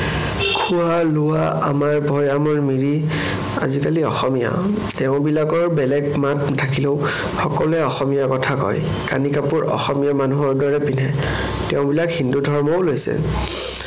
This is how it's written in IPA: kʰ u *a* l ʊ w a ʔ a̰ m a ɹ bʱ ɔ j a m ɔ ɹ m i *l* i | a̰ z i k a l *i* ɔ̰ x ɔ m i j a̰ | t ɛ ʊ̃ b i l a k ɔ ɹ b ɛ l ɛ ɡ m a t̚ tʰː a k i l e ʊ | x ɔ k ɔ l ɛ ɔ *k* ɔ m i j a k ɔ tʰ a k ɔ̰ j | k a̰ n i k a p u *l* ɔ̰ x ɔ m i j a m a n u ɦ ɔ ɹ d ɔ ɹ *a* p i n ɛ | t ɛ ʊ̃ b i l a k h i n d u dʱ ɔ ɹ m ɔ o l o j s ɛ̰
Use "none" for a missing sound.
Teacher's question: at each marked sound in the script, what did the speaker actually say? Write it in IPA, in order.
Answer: a, ɹ, i, x, ɹ, ɛ

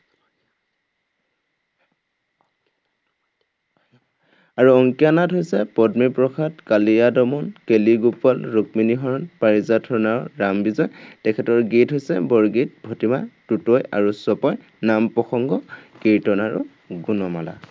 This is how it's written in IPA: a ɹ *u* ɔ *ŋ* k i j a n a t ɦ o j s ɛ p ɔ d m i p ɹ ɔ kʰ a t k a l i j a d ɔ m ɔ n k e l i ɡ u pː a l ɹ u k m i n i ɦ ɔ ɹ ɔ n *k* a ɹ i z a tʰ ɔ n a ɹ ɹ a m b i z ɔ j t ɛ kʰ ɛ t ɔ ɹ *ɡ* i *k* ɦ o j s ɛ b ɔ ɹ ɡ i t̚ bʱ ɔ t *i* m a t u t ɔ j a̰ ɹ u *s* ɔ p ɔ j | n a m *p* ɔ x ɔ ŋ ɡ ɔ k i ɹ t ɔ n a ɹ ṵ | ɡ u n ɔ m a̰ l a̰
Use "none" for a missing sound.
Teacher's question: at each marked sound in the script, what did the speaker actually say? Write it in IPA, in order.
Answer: u, ŋ, p, ɡ, t, i, s, p

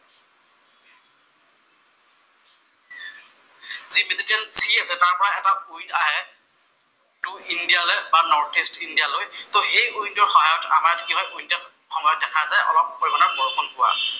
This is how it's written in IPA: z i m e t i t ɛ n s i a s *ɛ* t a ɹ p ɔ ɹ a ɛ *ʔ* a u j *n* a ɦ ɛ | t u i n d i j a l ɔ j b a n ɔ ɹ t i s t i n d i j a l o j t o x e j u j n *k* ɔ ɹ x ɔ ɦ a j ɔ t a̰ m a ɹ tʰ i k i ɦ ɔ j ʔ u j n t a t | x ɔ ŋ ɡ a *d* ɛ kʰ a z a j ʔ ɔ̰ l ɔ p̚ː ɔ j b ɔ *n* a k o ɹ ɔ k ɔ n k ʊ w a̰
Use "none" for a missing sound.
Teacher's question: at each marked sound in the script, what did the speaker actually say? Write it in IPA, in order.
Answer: ɛ, t, n, t, d, n

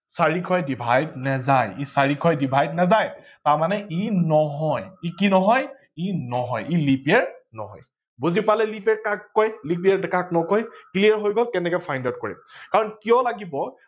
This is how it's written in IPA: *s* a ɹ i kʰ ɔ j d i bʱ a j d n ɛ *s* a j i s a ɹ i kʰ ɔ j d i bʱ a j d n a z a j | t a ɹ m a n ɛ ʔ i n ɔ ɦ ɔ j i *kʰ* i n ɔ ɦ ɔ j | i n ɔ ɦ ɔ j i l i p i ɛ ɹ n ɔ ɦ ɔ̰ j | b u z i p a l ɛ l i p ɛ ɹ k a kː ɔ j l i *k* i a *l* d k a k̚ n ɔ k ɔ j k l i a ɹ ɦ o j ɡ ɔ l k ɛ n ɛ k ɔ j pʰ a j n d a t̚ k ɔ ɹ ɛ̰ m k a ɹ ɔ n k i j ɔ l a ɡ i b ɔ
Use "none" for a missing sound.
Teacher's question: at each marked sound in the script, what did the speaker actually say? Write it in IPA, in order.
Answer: s, z, k, p, ɹ

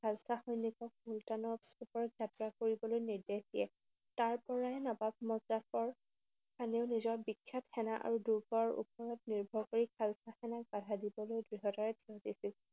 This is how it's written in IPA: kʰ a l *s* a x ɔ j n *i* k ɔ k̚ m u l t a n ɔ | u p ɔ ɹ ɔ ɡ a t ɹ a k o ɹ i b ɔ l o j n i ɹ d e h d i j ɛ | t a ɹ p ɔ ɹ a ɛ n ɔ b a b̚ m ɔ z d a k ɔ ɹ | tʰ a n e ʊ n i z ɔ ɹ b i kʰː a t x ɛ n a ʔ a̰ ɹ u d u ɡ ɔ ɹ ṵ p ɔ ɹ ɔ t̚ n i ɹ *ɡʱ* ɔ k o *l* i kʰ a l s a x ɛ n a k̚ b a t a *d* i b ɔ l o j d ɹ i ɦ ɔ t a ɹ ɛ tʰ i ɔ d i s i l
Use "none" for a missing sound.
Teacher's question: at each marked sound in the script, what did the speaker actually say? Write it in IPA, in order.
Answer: s, i, bʱ, ɹ, d

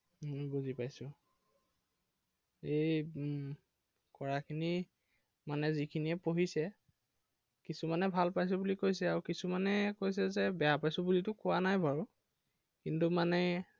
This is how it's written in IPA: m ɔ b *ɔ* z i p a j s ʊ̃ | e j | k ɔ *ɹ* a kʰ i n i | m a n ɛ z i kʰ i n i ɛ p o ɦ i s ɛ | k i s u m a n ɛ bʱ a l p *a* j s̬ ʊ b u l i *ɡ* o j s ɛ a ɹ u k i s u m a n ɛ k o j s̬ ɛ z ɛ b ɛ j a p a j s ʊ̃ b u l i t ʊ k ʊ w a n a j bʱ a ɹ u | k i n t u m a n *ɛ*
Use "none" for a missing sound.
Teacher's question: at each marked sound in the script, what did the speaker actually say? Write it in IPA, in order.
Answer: u, ɹ, a, k, ɛ

